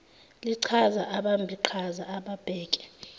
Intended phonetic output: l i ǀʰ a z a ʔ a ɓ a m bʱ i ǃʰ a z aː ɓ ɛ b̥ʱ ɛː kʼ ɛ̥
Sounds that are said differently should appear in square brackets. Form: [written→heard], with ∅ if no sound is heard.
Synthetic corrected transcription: l i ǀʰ a z a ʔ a ɓ a m bʱ i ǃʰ a z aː ɓ [ɛ→a] b̥ʱ ɛː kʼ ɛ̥